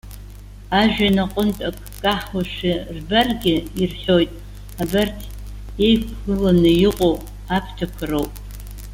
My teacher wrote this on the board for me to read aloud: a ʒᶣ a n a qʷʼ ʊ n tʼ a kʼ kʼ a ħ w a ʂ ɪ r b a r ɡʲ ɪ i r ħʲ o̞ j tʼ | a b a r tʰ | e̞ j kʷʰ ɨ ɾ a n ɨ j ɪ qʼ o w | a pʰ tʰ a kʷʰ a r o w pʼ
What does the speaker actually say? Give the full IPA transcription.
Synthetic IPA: a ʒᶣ a n a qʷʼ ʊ n tʼ a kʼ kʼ a ħ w a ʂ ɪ r b a r ɡʲ ɪ i r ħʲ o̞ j tʼ | a b a r tʰ | e̞ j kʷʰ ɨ l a n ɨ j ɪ qʼ o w | a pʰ tʰ a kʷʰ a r o w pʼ